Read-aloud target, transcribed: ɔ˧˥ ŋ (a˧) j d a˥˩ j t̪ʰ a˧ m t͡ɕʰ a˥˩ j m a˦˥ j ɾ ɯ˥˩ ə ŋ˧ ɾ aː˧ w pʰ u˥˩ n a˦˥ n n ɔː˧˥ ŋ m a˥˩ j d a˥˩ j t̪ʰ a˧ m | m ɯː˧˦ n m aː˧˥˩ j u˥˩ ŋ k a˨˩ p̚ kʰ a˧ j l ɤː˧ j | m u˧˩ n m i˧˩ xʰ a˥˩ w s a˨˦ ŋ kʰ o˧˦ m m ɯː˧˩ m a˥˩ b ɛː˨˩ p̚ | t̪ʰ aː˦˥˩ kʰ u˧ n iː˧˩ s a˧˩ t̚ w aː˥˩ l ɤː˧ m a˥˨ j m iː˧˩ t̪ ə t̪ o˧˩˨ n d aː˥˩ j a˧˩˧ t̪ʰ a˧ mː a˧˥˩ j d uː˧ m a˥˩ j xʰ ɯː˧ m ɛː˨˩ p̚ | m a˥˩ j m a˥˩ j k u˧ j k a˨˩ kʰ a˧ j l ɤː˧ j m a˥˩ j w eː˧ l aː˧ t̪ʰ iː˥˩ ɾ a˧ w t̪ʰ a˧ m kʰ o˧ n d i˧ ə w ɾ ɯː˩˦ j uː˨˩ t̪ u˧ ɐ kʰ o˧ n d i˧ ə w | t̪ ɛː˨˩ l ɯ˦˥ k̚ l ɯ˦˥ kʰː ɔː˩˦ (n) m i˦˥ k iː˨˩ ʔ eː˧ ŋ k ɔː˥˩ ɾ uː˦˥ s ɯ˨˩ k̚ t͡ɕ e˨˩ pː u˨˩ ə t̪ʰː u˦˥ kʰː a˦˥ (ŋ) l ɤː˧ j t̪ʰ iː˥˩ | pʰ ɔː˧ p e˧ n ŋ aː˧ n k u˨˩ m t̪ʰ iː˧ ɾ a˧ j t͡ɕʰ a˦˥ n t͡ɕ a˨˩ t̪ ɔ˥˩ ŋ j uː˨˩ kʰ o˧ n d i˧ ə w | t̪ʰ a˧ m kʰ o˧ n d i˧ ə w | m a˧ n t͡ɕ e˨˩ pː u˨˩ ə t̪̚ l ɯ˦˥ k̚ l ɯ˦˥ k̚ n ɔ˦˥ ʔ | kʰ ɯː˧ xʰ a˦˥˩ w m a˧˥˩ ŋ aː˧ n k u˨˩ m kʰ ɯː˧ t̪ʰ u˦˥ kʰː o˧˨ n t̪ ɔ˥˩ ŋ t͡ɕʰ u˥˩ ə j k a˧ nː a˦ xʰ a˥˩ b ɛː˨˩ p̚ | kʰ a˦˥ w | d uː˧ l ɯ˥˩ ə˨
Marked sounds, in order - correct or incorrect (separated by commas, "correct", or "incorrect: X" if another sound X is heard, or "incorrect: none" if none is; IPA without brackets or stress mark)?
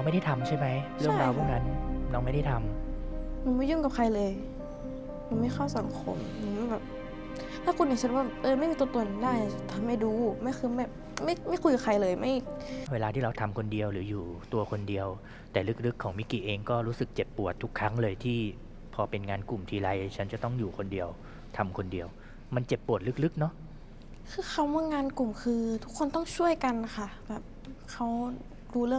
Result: incorrect: a˥˩, incorrect: ŋ, correct